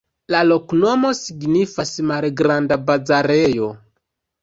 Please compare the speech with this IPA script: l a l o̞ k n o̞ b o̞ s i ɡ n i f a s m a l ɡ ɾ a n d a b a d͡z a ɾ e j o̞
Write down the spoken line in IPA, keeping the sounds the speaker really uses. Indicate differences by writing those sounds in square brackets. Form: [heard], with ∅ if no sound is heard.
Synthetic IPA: l a l o̞ k n o̞ [m] o̞ s i ɡ n i f a s m a l ɡ ɾ a n d a b a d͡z a ɾ e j o̞